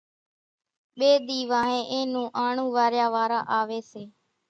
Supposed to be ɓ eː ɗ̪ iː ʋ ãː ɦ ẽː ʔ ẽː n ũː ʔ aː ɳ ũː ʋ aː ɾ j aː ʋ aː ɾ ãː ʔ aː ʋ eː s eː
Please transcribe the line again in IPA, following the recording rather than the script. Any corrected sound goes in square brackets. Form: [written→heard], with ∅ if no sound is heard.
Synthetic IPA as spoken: ɓ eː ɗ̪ iː ʋ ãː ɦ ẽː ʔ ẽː n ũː ʔ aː ɳ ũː ʋ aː ɾ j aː ʋ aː ɾ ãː ʔ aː ʋ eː s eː